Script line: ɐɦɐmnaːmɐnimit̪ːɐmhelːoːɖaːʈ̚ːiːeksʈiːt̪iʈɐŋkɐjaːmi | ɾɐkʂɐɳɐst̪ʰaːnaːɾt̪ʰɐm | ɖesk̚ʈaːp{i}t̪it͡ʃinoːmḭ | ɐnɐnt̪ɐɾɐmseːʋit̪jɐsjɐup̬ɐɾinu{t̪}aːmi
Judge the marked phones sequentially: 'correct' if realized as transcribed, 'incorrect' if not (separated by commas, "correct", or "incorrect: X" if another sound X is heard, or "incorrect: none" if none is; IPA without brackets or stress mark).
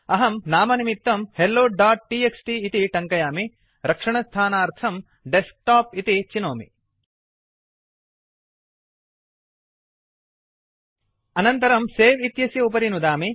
correct, incorrect: d̪